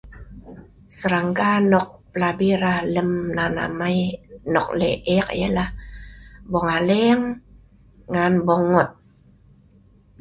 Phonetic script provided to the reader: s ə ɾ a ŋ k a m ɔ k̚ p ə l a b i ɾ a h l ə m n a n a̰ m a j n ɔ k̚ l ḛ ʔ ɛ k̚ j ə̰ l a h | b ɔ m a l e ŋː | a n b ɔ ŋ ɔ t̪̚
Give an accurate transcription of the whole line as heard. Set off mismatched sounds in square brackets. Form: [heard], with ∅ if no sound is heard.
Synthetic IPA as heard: s ə ɾ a ŋ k a [n] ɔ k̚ p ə l a b i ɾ a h l ə m n a n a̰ m a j n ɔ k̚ l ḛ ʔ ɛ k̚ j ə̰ l a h | b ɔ [ŋ] a l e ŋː | a n b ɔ ŋ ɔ t̪̚